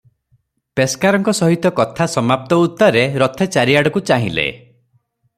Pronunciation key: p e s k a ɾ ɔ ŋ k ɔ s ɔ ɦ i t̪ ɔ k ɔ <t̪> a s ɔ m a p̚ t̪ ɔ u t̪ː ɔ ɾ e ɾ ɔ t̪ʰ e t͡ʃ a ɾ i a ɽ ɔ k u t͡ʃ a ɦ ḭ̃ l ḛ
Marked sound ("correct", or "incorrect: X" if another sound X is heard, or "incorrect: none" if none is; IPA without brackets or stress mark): incorrect: t̪ʰ